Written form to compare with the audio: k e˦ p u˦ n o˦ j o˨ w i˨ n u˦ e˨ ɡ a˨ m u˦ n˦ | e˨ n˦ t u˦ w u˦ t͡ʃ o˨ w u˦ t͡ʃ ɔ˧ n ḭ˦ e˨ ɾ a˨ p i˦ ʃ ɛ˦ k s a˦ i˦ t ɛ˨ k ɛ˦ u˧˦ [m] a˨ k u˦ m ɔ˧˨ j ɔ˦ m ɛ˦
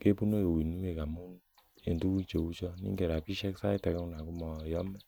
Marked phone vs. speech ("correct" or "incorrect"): incorrect